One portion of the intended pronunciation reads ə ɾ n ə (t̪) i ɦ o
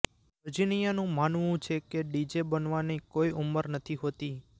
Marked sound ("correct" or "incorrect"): incorrect